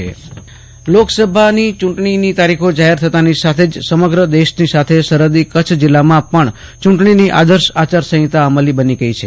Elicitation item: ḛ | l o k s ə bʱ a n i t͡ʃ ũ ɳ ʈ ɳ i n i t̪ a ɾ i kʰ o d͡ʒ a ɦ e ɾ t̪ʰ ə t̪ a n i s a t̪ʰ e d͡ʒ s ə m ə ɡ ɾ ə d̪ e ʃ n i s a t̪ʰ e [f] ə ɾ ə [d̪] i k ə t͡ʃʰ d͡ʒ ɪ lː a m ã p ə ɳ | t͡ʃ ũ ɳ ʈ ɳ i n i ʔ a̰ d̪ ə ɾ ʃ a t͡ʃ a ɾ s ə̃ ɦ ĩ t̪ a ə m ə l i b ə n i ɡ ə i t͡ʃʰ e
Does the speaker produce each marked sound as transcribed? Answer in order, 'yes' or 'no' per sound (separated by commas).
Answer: no, yes